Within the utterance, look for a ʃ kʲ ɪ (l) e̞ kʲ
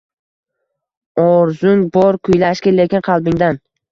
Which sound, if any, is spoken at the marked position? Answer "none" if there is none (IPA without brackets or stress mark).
l